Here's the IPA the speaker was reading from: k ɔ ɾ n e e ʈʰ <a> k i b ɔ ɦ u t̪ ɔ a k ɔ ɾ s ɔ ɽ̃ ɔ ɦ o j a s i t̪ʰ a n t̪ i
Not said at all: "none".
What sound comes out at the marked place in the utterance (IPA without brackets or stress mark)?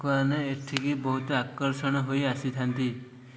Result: i